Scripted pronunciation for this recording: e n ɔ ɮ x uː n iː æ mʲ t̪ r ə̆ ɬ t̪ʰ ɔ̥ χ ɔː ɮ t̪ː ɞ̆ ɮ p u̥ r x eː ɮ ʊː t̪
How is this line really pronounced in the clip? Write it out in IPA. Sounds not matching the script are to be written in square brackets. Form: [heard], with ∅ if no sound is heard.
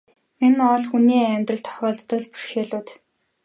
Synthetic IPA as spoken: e n ɔ ɮ x [u] n iː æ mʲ t̪ r ə̆ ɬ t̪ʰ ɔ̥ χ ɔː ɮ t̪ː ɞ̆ ɮ p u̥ r [ʃ] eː ɮ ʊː t̪